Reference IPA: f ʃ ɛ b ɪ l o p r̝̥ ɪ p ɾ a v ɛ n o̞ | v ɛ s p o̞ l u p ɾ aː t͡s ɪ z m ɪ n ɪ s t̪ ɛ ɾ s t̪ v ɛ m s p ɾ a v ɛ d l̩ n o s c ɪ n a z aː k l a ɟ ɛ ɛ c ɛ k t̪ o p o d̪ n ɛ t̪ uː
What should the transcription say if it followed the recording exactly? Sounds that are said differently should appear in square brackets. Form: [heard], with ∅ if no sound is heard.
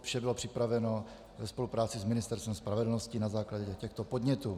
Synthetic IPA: f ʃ ɛ b ɪ l o p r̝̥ ɪ p ɾ a v ɛ n o̞ | v ɛ s p o̞ l u p ɾ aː t͡s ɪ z m ɪ n ɪ s t̪ ɛ ɾ s t̪ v ɛ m s p ɾ a v ɛ d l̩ n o s c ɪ n a z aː k l a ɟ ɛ ɛ c ɛ [x] t̪ o p o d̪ [ɲ] ɛ t̪ uː